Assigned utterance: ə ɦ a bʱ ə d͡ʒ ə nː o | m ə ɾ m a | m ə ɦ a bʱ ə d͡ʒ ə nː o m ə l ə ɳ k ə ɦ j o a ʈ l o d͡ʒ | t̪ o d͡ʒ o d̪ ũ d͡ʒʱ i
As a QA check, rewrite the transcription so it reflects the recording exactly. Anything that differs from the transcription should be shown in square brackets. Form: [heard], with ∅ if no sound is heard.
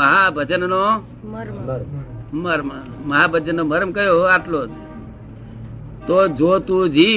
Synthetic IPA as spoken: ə ɦ a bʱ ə d͡ʒ ə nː o | m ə ɾ m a | m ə ɦ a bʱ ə d͡ʒ ə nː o m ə [ɾ] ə [m] k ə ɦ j o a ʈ l o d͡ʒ | t̪ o d͡ʒ o [t̪] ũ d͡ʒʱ i